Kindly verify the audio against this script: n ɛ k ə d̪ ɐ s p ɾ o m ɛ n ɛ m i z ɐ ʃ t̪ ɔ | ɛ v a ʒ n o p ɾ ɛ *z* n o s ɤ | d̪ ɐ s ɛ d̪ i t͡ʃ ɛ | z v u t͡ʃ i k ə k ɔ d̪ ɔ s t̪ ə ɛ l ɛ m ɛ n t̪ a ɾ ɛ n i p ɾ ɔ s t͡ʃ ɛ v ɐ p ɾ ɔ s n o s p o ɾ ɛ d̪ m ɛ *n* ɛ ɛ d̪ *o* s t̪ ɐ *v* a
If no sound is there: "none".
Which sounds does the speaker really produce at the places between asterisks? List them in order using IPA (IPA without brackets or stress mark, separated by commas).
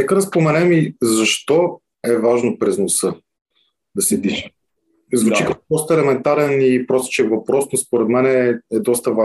z, n, ɔ, v